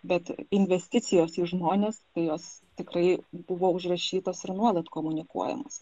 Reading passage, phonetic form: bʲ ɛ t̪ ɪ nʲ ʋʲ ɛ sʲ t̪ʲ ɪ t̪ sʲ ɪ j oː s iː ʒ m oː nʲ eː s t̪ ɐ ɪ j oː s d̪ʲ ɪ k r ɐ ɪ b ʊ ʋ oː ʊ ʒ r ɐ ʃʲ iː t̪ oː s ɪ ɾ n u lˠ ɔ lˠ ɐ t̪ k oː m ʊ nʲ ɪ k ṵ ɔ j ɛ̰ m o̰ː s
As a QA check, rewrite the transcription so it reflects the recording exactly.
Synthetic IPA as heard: bʲ ɛ t̪ ɪ nʲ ʋʲ ɛ sʲ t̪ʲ ɪ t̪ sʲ ɪ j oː s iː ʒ m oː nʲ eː s t̪ ɐ ɪ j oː s t̪ʲ ɪ k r ɐ ɪ b ʊ ʋ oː ʊ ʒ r ɐ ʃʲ iː t̪ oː s ɪ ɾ n u ɔ lˠ ɐ t̪ k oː m ʊ nʲ ɪ k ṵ ɔ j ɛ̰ m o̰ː s